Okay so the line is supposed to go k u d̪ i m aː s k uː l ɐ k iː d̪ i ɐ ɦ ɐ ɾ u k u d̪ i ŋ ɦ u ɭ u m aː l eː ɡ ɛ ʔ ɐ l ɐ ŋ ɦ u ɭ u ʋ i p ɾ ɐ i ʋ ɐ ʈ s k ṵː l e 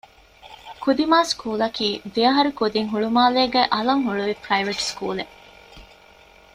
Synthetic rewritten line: k u d̪ i m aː s k uː l ɐ k iː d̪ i ɐ ɦ ɐ ɾ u k u d̪ i ŋ ɦ u ɭ u m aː l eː ɡ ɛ ʔ ɐ l ɐ ŋ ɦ u ɭ u ʋ i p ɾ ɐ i ʋ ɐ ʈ s k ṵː l e